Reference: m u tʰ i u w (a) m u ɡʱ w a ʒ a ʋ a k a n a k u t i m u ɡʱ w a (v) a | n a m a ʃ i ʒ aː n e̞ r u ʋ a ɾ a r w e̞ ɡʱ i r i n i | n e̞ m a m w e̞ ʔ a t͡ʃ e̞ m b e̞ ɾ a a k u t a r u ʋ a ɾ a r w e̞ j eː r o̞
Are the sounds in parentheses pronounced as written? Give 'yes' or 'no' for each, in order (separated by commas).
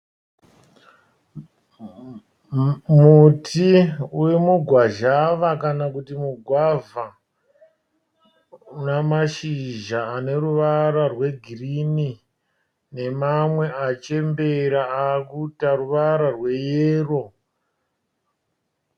no, yes